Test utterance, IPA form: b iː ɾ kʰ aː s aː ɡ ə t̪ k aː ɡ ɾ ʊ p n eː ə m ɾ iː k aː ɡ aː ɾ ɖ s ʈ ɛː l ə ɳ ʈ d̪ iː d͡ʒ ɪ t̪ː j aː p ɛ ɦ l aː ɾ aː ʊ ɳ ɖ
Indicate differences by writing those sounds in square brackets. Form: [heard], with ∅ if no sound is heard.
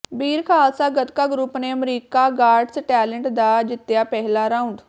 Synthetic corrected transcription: b iː ɾ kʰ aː s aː ɡ ə t̪ k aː ɡ ɾ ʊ p n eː ə m ɾ iː k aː ɡ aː ɾ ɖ s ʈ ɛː l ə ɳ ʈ d̪ [aː] d͡ʒ ɪ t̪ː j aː p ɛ ɦ l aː ɾ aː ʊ ɳ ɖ